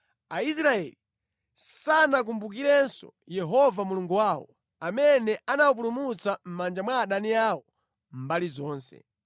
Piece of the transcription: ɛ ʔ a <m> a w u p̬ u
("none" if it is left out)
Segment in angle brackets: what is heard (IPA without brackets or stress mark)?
n